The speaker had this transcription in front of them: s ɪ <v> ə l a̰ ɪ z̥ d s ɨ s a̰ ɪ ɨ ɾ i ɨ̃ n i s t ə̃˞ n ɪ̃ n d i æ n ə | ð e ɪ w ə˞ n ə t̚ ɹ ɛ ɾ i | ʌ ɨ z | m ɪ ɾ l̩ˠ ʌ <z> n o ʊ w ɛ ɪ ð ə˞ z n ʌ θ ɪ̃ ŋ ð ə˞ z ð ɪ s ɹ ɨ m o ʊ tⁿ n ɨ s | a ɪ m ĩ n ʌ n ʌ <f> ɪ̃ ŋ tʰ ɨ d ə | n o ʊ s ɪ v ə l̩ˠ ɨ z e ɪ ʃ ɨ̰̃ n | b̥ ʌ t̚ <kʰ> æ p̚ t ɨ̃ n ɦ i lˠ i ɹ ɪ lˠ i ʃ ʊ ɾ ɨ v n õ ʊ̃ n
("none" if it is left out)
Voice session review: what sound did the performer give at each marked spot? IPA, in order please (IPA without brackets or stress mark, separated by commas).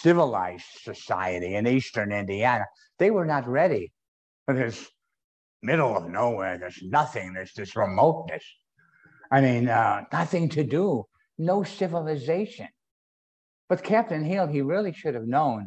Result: v, v, θ, kʰ